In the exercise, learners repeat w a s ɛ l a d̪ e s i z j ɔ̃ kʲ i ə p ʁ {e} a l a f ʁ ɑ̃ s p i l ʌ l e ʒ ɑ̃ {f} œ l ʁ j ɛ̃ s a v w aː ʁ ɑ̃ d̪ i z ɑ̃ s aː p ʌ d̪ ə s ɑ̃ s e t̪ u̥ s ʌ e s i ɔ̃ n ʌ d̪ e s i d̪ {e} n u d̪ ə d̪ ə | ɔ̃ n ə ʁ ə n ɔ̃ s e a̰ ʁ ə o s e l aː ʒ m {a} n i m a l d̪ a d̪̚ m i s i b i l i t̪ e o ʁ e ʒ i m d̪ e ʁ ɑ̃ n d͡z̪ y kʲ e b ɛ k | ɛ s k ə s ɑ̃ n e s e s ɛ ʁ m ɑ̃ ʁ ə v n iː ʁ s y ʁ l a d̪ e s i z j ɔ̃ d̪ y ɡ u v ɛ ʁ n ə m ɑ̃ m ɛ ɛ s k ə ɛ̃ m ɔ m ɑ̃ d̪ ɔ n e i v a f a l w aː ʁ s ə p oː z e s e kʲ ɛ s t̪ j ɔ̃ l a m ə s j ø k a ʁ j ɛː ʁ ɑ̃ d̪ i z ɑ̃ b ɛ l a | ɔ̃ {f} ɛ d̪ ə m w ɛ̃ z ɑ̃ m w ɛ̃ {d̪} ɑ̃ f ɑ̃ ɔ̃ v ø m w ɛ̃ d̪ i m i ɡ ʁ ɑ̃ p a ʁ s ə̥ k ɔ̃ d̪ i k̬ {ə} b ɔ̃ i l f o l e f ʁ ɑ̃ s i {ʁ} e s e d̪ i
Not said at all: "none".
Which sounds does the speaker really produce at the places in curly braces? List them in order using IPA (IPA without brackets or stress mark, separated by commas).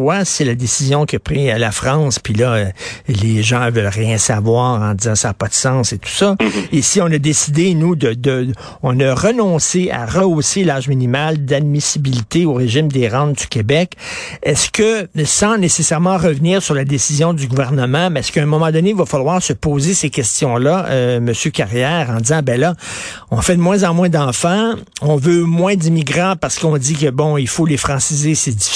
i, v, e, i, f, d̪, ə, z